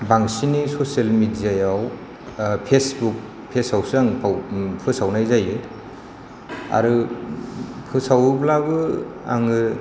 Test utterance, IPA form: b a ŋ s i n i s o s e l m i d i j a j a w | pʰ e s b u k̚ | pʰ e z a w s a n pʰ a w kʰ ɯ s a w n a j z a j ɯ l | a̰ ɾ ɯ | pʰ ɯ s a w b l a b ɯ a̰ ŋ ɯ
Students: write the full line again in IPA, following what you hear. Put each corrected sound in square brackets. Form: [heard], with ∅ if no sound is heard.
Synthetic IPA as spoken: b a ŋ s i n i s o s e l m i d i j a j a w | pʰ e s b u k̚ | pʰ e [s] a w s a [ŋ] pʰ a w [pʰ] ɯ s a w n a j z a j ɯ [∅] | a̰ ɾ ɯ | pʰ ɯ s a w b l a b ɯ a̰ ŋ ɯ